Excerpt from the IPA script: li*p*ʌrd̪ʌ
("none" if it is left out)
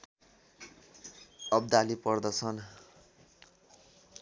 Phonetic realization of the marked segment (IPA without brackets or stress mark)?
p